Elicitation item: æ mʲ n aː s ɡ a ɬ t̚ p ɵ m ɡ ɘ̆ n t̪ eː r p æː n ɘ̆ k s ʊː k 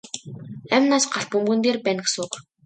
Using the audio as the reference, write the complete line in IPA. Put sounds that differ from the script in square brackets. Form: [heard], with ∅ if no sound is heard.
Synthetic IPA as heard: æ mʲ n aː s [ɢ] a ɬ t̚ p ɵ m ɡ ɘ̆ n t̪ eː r p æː n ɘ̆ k s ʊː k